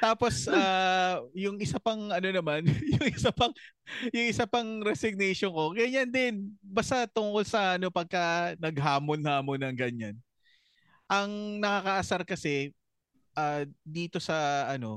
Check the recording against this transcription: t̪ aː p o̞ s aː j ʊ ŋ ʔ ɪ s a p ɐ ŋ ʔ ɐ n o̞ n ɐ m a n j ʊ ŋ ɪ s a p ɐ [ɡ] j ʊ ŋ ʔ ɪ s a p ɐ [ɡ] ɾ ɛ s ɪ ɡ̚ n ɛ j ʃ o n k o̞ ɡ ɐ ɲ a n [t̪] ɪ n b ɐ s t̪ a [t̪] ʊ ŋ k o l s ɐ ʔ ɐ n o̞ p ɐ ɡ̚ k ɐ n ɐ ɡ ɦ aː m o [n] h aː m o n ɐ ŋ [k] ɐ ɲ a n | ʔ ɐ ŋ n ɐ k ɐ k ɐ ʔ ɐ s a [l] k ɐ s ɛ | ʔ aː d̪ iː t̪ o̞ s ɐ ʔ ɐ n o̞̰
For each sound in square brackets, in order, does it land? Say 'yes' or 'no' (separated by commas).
no, no, no, yes, yes, no, no